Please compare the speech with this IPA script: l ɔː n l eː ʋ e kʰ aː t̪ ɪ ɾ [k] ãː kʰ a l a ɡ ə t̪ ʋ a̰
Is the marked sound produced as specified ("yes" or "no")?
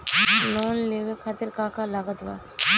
yes